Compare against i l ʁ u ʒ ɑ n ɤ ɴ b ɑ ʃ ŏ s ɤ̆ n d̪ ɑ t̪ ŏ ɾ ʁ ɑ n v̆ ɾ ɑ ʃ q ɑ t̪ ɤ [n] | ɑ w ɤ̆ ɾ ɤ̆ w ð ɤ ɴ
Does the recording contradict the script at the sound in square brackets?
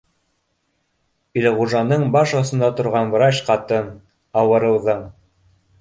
no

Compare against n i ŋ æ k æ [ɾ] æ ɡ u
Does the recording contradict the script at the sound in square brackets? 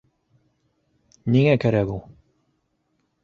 no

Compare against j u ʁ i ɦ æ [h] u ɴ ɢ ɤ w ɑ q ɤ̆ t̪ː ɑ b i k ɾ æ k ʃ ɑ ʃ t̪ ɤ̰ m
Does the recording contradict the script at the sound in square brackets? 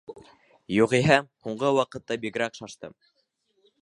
no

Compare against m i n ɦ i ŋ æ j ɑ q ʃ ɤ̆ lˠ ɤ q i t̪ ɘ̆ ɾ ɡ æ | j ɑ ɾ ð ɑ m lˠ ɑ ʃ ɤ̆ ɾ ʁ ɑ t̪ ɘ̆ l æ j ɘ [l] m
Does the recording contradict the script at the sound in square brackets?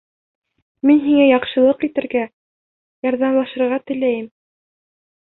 yes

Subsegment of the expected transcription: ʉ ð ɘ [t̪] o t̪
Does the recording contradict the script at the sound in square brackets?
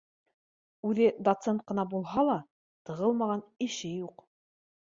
yes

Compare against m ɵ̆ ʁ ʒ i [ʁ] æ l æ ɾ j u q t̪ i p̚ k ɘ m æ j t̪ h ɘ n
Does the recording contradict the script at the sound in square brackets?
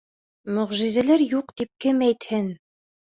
yes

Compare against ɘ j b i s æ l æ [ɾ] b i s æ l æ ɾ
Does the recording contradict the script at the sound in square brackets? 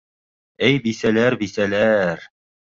no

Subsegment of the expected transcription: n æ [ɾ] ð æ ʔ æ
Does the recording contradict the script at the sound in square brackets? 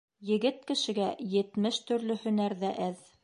no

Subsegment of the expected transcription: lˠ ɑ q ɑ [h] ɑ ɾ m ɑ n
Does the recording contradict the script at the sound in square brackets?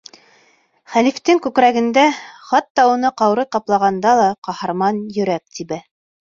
no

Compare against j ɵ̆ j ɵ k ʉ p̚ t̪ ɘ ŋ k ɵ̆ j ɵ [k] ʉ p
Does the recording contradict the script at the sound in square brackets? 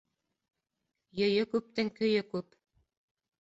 no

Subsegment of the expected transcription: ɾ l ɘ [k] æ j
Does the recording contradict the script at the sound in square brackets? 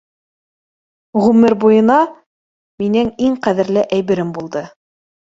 yes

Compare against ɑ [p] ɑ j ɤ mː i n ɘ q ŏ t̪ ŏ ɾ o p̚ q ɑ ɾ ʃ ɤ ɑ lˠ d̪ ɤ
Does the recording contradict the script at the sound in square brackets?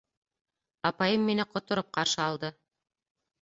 no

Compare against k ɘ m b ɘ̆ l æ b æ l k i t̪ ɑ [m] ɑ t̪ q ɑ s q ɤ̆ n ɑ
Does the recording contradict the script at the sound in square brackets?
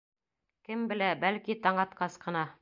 yes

